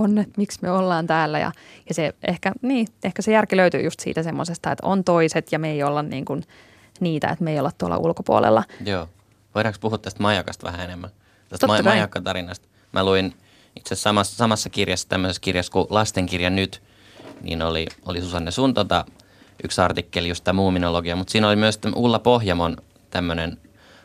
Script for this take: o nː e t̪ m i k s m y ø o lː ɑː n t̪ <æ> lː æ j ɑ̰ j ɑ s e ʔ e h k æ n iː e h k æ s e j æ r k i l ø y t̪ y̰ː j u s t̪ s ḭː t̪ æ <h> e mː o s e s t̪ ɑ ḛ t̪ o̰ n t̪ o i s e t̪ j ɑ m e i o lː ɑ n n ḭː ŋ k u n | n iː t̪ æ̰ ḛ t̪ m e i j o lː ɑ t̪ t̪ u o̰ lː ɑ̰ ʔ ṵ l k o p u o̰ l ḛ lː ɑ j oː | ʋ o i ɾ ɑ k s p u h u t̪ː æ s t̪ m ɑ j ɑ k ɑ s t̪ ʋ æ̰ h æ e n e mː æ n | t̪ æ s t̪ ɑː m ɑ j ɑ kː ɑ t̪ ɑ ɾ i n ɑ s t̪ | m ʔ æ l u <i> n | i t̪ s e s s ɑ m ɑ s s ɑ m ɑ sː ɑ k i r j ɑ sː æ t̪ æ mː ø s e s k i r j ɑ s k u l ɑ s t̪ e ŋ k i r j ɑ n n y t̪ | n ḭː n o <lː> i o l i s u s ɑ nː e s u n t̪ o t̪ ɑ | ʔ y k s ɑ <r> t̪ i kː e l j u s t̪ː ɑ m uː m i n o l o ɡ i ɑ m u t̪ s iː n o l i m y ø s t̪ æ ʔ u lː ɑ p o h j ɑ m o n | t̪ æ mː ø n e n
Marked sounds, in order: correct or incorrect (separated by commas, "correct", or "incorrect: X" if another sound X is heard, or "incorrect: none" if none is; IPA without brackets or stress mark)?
incorrect: æː, incorrect: s, correct, incorrect: l, correct